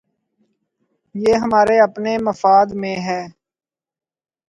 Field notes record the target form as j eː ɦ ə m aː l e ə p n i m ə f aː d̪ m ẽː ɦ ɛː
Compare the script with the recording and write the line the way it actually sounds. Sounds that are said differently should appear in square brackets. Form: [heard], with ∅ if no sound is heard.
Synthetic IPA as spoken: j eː ɦ ə m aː [ɾ] e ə p n [e] m ə f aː d̪ m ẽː ɦ ɛː